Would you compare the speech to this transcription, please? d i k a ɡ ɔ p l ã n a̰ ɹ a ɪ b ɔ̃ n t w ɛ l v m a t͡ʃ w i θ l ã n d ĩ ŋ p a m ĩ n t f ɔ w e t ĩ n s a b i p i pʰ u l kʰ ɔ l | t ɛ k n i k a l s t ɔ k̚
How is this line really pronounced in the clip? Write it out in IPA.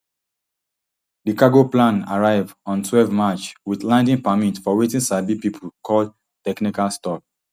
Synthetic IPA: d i k a ɡ o p l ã n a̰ ɹ a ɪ v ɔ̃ n t w ɛ l v m a t͡ʃ w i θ l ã n d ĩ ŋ p a m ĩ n t f ɔ w e t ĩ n s a b i p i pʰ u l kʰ ɔ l | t ɛ k n i k a l s t ɔ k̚